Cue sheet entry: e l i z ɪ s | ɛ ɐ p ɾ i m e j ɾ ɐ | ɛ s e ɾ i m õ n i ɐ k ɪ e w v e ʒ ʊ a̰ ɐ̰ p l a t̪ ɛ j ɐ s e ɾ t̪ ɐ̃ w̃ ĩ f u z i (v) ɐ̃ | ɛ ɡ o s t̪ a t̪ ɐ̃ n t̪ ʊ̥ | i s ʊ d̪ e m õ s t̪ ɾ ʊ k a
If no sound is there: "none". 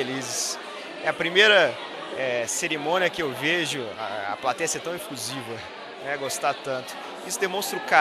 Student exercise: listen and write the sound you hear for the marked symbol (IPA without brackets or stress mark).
v